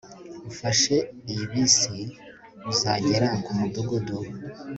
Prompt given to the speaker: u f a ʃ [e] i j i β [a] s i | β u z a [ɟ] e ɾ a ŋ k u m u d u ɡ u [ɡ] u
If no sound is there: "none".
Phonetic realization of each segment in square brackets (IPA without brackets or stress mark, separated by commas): e, i, ɟ, d